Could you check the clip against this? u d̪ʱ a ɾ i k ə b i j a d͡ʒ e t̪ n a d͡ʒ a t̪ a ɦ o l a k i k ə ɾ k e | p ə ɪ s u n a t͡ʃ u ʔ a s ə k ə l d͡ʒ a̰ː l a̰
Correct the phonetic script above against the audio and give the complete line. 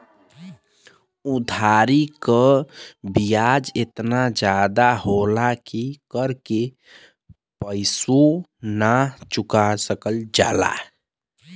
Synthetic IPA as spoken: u d̪ʱ a ɾ i k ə b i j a d͡ʒ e t̪ n a d͡ʒ a d̪ a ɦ o l a k i k ə ɾ k e | p ə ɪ s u n a t͡ʃ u k a s ə k ə l d͡ʒ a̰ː l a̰